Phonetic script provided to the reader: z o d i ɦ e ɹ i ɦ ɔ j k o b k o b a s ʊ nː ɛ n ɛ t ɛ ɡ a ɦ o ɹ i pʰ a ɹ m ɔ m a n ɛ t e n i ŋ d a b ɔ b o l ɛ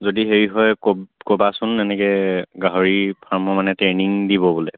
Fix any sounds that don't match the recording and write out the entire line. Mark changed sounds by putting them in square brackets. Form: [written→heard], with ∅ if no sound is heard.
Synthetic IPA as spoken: z o d i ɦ e ɹ i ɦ ɔ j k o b k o b a s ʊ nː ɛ n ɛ [t→k] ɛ ɡ a ɦ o ɹ i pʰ a ɹ m ɔ m a n ɛ t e n i ŋ d [a→i] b ɔ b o l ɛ